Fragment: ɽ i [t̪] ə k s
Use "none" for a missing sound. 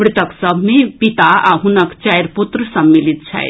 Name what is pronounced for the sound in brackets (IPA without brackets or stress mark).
t̪